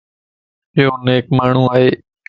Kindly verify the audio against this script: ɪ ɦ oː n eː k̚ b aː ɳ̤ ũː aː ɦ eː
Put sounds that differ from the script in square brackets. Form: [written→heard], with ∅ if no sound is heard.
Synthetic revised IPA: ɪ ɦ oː n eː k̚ [b→m] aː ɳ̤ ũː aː ɦ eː